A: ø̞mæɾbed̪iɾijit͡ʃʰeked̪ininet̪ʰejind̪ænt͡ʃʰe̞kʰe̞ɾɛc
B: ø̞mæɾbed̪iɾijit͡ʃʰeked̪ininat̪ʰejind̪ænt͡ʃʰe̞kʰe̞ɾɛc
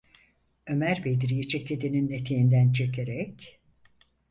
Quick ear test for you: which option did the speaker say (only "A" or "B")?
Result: A